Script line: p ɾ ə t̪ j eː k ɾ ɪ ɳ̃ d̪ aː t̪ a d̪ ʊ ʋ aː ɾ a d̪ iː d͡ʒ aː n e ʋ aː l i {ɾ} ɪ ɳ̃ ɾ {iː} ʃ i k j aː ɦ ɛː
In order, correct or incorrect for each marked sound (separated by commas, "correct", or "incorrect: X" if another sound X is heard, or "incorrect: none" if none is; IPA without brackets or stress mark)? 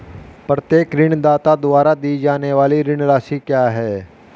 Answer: correct, incorrect: aː